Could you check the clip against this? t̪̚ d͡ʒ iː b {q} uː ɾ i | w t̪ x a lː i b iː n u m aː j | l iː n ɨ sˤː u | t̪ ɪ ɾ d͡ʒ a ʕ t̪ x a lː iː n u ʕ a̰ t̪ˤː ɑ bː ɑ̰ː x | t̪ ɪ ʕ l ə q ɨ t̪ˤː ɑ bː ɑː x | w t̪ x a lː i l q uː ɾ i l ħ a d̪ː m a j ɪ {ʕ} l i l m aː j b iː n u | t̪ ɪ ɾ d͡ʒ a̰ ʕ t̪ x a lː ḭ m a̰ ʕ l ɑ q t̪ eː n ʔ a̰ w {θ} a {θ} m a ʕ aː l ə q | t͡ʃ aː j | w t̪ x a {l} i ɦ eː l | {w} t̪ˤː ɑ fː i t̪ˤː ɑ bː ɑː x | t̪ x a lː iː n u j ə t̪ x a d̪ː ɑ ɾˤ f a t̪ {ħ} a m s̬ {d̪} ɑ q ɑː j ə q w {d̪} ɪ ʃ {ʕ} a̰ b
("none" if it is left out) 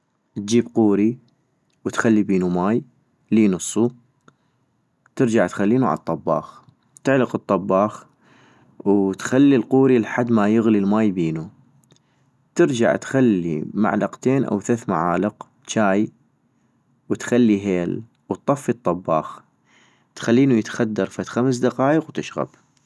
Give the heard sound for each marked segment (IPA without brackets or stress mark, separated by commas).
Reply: q, ɣ, θ, θ, lː, w, x, d̪, t̪, ɣ